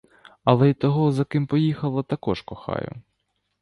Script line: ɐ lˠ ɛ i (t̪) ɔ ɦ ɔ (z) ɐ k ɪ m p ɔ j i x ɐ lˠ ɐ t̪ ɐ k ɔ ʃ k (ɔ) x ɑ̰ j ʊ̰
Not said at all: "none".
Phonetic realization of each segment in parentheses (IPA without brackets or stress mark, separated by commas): t̪, z, ɔ